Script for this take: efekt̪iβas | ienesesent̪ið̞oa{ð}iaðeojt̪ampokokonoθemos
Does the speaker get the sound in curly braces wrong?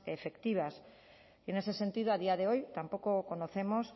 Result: no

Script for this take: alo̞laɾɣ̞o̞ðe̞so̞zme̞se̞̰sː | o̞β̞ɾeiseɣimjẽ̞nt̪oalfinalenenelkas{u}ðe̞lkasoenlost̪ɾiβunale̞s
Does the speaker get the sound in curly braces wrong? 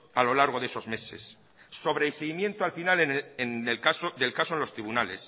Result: yes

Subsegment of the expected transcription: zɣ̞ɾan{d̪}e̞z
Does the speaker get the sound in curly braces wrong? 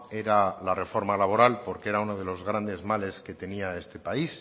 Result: no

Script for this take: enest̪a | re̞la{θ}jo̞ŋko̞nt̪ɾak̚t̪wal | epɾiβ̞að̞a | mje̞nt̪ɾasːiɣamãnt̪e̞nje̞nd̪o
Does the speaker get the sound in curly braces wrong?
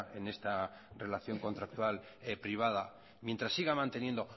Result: no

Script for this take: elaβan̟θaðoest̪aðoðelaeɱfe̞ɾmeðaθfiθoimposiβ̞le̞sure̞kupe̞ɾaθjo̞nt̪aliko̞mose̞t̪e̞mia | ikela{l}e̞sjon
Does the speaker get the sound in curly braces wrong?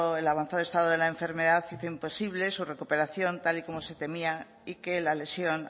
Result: no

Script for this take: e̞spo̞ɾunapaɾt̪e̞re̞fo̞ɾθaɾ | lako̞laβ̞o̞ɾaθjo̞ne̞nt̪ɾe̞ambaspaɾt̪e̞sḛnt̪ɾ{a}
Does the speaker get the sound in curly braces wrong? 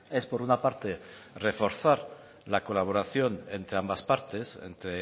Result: yes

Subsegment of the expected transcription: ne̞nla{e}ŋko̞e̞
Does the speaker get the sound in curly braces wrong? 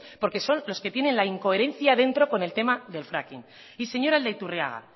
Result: yes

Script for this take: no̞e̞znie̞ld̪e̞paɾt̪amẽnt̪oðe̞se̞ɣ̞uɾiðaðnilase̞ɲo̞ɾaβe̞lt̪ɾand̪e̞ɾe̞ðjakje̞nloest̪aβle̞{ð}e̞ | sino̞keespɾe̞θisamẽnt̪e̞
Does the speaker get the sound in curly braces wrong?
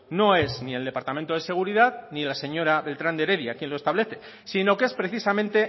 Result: yes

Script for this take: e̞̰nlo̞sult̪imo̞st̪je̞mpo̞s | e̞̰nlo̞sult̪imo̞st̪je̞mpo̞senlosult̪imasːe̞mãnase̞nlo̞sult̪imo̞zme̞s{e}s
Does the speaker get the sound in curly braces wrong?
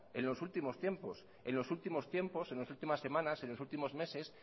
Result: no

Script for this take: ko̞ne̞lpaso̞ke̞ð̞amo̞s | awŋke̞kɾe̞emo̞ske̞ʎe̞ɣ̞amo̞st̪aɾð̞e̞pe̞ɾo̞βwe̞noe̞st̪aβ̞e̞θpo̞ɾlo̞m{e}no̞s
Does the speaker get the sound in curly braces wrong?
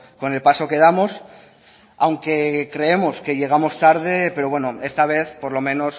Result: yes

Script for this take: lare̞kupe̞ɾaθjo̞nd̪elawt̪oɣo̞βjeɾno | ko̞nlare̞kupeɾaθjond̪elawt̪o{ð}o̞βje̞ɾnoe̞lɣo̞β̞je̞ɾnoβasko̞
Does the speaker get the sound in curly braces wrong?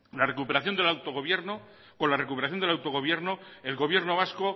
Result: yes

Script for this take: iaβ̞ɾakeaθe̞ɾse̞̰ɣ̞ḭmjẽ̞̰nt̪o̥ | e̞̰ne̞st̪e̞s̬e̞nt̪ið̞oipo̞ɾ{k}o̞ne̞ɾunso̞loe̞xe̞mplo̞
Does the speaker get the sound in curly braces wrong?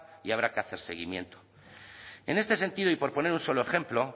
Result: yes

